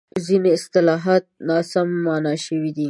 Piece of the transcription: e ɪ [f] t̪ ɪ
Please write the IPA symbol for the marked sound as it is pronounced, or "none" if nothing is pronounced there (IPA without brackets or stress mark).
s